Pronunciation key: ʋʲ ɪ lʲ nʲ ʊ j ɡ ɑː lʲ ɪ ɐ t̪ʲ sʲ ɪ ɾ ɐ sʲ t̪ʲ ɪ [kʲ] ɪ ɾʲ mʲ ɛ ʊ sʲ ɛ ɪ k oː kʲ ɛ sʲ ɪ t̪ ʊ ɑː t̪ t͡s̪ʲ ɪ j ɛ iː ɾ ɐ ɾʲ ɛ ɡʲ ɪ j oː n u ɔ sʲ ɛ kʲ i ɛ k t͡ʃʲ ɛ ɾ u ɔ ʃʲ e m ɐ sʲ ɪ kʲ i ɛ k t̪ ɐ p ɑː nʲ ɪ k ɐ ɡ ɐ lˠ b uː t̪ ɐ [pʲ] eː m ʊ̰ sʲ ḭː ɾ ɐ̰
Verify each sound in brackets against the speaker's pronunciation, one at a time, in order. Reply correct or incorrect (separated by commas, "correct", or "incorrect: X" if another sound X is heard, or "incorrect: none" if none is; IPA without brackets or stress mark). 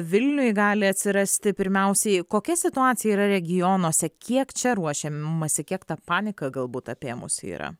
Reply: incorrect: pʲ, correct